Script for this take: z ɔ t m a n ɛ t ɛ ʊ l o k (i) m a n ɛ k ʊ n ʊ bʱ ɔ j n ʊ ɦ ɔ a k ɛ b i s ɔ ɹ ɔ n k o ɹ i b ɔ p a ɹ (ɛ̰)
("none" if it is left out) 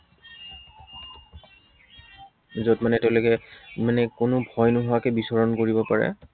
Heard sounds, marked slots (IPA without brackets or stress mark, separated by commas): ɛ, ɛ̰